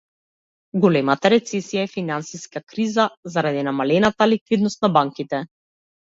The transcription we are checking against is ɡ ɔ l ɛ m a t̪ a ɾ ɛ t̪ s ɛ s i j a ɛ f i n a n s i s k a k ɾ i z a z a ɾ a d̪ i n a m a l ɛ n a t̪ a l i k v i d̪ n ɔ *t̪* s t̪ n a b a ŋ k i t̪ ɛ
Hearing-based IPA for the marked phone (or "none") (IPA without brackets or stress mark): none